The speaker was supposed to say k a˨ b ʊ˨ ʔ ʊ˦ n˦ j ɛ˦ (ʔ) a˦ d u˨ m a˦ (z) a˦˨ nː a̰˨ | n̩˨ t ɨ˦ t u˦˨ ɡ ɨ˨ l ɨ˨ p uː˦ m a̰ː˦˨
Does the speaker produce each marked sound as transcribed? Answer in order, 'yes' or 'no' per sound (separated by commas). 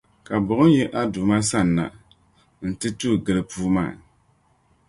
yes, no